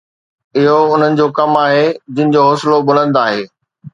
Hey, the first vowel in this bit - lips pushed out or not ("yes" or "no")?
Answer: no